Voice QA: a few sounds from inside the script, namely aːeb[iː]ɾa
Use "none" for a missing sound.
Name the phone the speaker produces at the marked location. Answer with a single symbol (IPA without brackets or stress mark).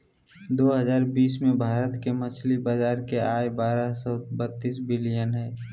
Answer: aː